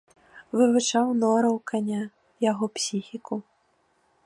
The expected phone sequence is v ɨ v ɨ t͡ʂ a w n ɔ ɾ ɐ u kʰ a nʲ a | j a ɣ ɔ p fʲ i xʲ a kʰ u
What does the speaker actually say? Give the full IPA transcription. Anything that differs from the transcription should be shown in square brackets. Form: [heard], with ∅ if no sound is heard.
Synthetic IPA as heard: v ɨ v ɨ t͡ʂ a w n ɔ ɾ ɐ [w] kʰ a nʲ a | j a ɣ ɔ p [sʲ] i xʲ [i] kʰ u